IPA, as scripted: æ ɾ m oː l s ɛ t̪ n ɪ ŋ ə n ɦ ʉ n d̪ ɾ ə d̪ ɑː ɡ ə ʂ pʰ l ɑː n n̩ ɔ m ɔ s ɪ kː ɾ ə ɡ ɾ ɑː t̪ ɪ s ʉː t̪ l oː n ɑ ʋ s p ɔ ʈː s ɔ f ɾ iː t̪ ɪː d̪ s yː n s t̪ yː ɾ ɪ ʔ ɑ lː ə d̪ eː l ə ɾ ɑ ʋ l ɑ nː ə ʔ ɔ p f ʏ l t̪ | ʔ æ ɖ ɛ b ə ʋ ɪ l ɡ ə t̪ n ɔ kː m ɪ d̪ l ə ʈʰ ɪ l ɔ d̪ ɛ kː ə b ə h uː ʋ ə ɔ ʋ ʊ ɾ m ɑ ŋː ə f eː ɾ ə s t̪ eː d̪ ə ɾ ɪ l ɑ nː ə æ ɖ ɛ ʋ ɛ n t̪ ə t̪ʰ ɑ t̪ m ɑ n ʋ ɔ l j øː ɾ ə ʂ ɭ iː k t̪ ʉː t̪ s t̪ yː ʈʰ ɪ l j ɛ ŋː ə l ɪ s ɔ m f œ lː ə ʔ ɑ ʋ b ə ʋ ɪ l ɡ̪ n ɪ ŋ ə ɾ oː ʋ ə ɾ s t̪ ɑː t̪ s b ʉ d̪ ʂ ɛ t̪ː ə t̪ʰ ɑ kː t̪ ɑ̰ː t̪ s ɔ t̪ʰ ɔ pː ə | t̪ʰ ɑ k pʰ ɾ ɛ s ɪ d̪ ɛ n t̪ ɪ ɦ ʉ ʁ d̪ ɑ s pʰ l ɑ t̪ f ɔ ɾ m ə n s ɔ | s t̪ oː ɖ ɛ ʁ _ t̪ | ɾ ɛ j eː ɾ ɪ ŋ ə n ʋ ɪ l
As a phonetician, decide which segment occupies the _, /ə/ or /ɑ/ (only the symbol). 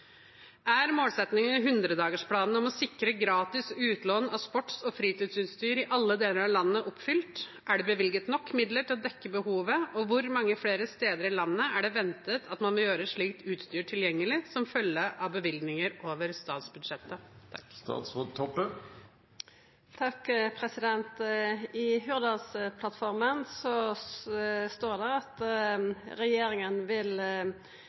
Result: ɑ